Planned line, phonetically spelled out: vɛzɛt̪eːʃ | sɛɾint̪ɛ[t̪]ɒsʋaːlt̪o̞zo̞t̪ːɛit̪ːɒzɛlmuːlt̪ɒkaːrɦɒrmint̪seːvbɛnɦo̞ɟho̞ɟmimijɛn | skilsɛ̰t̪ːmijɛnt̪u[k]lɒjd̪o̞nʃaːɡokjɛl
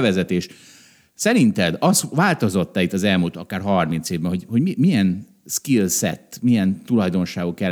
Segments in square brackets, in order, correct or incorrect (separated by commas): incorrect, incorrect